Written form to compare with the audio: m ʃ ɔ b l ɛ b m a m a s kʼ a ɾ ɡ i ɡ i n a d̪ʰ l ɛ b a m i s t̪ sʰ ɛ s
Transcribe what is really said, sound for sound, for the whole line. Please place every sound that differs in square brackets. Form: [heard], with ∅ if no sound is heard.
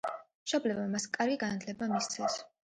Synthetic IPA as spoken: m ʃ ɔ b l ɛ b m a m a s kʼ a ɾ ɡ i ɡ [a] n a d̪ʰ l ɛ b a m i s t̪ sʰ ɛ s